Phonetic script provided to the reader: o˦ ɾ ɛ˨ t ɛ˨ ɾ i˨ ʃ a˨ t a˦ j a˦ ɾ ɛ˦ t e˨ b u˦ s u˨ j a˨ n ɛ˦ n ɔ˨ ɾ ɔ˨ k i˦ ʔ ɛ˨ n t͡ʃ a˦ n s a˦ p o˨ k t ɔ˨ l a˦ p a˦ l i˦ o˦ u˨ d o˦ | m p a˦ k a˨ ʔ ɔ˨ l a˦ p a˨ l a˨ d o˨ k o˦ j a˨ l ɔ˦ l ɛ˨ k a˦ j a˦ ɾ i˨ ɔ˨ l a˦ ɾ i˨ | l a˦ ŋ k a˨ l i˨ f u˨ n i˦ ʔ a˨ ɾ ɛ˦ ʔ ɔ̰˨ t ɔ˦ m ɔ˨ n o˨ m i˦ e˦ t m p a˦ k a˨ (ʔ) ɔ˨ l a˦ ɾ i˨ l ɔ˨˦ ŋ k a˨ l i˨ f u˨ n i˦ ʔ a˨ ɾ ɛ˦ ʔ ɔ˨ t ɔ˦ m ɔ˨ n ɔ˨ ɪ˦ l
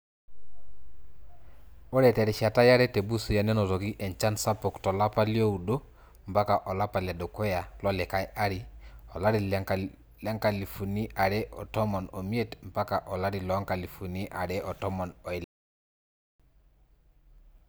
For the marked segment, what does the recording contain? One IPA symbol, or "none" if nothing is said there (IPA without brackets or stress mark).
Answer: ʔ